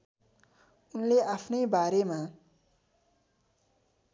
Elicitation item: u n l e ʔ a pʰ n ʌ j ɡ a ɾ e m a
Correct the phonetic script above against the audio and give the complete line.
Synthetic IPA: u n l e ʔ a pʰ n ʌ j b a ɾ e m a